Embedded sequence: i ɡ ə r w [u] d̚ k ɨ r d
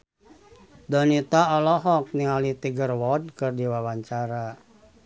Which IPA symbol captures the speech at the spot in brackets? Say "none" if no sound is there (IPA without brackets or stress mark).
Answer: ɔ